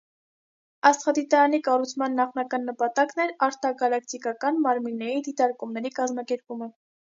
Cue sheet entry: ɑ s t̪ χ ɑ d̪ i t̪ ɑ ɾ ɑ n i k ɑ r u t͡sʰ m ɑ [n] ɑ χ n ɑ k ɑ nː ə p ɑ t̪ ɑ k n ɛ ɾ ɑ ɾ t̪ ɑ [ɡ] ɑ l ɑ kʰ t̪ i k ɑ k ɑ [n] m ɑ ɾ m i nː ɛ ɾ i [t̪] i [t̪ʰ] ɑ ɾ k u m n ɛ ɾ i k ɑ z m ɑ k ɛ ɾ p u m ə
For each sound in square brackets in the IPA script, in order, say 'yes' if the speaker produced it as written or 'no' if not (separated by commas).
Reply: no, yes, yes, no, no